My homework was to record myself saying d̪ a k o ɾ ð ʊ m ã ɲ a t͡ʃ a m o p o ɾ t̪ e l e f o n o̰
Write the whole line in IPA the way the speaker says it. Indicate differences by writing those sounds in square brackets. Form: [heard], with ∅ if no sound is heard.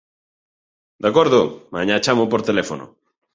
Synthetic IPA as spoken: d̪ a k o ɾ ð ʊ m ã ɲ a t͡ʃ a m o p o ɾ t̪ e l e f o n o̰